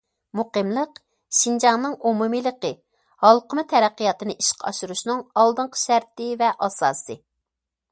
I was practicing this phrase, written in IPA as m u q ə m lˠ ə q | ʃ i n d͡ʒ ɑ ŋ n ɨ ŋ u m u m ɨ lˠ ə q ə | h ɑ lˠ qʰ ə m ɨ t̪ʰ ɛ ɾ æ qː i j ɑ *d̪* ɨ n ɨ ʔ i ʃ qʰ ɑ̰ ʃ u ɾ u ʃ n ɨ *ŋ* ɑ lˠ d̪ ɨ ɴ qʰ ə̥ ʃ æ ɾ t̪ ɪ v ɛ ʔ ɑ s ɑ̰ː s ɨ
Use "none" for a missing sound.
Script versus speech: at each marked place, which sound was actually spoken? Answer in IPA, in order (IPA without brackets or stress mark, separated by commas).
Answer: t̪, ŋ